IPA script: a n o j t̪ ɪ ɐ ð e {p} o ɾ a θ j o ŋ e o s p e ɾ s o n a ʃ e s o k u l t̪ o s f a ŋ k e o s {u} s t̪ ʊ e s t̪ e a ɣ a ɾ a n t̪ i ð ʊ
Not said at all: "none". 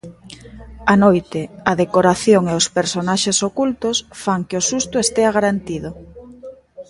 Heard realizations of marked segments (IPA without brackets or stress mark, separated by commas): k, u